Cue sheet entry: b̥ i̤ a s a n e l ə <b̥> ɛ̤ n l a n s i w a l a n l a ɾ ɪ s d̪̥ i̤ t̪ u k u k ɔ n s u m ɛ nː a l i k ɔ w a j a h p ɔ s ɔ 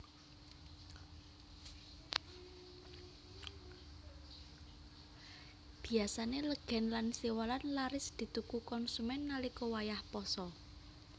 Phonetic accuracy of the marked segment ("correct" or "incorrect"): incorrect